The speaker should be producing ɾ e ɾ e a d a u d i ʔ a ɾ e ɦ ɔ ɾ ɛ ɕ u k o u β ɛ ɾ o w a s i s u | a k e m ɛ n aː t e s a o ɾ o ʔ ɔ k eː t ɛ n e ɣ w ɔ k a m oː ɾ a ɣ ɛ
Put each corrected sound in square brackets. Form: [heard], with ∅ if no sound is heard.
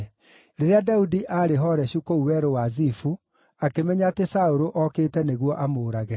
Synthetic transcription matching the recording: ɾ e ɾ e a d a u d i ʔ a ɾ e ɦ ɔ ɾ ɛ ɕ u k o u [w] ɛ ɾ o w a [z] i [f] u | a k e m ɛ [ɲ] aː t e s a o ɾ o ʔ ɔ k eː t ɛ n e ɣ w ɔ [ʔ] a m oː ɾ a ɣ ɛ